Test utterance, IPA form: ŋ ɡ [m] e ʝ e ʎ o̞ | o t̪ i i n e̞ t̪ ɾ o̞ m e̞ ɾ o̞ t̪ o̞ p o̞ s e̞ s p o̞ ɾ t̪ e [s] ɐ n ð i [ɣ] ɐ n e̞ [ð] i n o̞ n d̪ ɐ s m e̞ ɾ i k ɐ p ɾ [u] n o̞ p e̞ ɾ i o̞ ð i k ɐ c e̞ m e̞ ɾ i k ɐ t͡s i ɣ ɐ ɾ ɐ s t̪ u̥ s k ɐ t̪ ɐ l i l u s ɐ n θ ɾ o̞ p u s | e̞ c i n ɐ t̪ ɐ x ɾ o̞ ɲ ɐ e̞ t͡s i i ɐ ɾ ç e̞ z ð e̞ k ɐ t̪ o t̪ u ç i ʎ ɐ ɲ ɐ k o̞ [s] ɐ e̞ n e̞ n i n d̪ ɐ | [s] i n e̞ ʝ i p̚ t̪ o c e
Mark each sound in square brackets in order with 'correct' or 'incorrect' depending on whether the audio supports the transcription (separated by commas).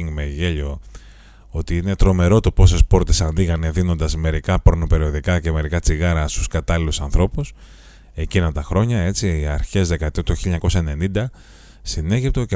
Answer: correct, correct, correct, correct, incorrect, correct, correct